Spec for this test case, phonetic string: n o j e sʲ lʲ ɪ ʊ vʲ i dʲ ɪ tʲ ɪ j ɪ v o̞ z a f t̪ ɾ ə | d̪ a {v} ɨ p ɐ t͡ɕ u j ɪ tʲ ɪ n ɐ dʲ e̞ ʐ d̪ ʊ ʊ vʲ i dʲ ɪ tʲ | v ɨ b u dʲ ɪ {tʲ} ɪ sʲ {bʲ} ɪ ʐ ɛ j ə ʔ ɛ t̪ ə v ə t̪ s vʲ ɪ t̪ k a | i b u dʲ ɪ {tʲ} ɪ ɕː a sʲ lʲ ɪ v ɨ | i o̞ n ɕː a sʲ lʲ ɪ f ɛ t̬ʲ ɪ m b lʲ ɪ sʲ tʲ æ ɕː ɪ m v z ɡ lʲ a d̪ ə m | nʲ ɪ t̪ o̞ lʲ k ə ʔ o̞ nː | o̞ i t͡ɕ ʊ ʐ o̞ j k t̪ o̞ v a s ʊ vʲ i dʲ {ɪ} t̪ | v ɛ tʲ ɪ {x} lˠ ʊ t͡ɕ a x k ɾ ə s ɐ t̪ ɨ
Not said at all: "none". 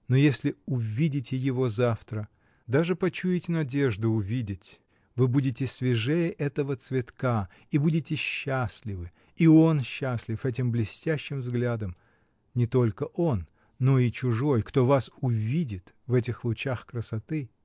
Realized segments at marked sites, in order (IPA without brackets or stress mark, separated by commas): ʐ, tʲ, vʲ, tʲ, ɪ, x